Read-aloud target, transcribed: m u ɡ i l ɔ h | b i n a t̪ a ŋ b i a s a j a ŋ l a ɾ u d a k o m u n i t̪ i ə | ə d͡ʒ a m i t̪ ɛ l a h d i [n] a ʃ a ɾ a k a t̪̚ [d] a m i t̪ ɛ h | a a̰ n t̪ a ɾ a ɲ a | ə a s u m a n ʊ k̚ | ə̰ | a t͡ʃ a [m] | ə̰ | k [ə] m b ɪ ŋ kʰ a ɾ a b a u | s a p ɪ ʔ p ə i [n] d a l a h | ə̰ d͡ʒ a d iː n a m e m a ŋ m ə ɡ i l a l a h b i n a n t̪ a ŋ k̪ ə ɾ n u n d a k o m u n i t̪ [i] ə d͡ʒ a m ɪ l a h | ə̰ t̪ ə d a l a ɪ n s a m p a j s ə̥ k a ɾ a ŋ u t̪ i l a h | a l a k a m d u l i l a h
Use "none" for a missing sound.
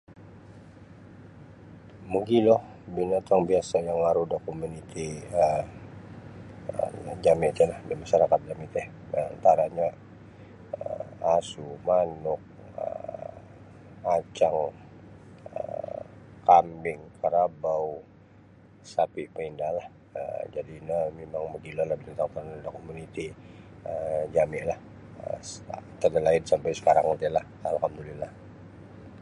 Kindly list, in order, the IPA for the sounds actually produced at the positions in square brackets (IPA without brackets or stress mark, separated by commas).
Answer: m, d͡ʒ, ŋ, a, n, i